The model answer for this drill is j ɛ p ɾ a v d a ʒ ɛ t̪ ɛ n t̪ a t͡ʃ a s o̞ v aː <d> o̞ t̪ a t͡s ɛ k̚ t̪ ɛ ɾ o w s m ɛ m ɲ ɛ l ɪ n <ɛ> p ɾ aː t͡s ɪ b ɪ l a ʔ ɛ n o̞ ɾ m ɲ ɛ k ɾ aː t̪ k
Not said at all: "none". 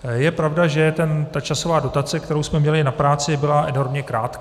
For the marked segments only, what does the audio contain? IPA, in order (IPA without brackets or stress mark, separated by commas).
d, a